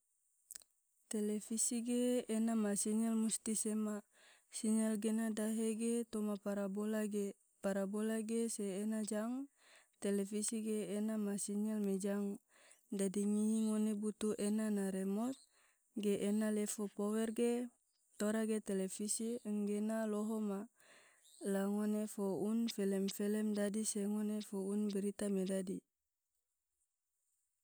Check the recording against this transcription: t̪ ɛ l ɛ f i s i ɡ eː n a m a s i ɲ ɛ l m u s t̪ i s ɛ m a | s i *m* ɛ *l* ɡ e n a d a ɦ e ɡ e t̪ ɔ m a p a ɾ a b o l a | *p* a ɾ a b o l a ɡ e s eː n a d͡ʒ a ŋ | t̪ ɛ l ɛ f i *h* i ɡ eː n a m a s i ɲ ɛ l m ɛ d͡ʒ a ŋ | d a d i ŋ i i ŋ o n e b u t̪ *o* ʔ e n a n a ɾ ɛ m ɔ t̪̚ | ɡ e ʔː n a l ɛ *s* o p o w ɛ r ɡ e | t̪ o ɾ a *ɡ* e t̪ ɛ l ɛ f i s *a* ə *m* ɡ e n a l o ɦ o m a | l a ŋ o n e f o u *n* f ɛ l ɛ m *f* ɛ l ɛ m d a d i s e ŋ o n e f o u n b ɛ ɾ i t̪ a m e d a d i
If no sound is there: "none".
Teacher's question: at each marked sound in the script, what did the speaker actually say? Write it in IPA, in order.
ɲ, l, p, s, u, f, ɡ, i, ŋ, n, f

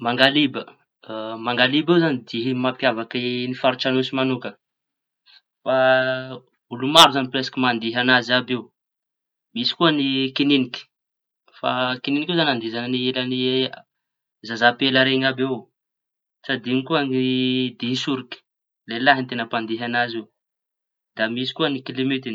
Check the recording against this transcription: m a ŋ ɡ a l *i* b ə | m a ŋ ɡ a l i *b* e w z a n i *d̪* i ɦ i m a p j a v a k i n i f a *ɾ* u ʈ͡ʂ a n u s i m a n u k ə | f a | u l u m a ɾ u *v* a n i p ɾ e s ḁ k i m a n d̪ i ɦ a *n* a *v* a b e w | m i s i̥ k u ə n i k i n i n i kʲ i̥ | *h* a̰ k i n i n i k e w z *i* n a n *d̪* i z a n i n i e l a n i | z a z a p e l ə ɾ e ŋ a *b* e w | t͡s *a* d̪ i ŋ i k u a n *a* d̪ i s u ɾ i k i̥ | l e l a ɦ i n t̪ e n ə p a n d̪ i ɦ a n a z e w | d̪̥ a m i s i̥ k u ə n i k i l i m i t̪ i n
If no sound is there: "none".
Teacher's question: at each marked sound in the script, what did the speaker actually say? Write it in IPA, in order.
i, b, d̪, ɾ, z, n, z, f, a, d̪, b, a, i

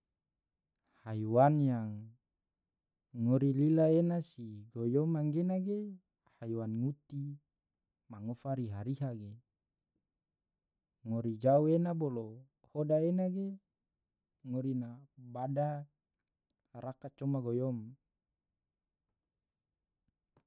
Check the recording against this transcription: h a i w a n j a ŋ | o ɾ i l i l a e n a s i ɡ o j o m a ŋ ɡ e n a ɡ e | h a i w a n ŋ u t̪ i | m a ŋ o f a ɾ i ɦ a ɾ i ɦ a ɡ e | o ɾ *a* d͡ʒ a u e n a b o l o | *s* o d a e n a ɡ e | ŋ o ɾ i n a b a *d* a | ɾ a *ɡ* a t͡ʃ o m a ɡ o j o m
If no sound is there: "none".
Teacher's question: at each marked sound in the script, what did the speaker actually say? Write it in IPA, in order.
i, h, d, k

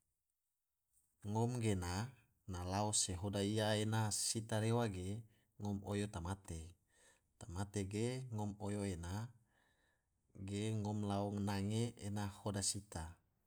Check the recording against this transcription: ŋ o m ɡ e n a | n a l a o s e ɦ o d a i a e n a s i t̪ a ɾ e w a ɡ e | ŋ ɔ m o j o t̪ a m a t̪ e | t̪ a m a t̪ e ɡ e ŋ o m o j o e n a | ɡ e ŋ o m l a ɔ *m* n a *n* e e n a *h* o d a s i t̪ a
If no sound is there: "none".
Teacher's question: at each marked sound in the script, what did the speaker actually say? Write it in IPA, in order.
ŋ, ŋ, h

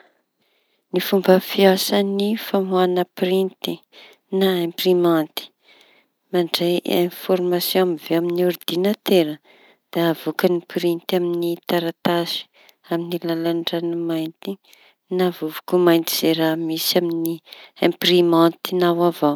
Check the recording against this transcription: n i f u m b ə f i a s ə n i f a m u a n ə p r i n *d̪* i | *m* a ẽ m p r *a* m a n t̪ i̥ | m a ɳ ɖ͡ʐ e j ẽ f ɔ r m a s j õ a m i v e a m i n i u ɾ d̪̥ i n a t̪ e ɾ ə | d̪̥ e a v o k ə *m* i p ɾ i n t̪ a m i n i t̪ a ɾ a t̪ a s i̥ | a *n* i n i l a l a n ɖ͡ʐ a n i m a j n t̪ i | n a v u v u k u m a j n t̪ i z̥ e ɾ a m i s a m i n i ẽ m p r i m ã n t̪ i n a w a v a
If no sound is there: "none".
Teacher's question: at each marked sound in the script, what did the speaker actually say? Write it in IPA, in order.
t̪, n, i, n, m

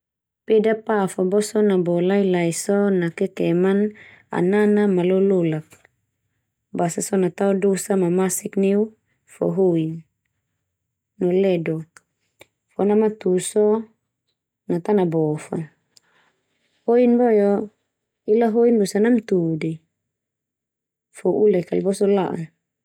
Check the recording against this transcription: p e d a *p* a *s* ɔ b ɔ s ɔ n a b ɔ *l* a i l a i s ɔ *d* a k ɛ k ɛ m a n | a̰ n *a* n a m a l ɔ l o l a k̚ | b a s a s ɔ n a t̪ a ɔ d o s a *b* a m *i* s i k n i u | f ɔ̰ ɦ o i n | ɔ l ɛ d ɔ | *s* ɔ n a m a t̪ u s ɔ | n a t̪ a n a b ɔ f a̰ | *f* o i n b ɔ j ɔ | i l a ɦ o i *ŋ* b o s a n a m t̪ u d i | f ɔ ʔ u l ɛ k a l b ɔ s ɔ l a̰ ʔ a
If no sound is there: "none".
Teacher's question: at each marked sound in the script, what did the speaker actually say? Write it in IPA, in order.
p, f, l, n, a, m, a, f, h, n

